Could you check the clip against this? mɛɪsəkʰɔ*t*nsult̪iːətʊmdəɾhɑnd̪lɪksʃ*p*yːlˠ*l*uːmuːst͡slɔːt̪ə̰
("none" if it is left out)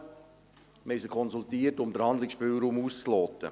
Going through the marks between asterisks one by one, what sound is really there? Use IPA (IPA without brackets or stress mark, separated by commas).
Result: none, p, ɾ